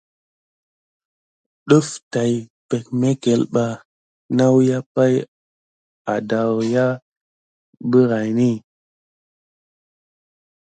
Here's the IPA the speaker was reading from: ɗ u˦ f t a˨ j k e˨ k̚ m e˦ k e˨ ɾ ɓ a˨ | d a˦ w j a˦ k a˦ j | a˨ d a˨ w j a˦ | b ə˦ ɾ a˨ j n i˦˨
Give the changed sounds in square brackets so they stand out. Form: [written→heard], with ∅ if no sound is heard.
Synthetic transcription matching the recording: ɗ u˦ f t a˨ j [k→p] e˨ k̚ m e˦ k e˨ [ɾ→l] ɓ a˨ | [d→n] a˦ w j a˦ [k→p] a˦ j | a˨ d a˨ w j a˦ | b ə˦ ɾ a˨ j n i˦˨